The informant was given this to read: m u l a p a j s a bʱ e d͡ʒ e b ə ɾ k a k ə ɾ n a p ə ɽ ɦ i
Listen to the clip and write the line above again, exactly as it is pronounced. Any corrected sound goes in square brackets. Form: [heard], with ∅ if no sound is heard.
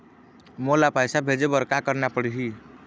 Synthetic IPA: m [o] l a p a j s a bʱ e d͡ʒ e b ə ɾ k a k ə ɾ n a p ə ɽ ɦ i